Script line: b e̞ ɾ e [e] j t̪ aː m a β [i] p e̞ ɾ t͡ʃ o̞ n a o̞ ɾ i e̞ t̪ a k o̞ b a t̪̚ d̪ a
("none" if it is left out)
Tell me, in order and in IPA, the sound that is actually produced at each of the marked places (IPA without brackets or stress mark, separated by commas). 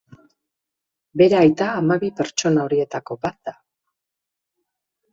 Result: a, i